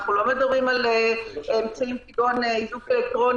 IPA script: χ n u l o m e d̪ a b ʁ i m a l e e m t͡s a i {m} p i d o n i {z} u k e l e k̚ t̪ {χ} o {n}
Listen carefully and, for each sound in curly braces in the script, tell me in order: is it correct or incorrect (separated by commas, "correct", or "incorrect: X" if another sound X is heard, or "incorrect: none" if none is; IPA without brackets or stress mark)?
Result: correct, correct, incorrect: ʁ, correct